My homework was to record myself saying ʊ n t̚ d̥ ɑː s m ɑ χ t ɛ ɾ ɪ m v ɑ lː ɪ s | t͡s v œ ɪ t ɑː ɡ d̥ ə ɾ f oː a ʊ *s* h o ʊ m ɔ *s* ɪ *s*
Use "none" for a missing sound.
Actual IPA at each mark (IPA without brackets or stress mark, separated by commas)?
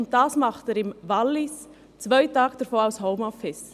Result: s, f, s